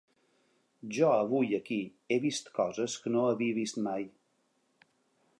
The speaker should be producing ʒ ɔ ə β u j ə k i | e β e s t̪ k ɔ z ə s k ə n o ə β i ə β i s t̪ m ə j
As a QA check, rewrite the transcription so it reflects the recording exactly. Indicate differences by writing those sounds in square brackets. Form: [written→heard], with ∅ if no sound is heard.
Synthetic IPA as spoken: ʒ ɔ ə β u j ə k i | e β [e→i] s t̪ k ɔ z ə s k ə n o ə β i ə β i s t̪ m [ə→a] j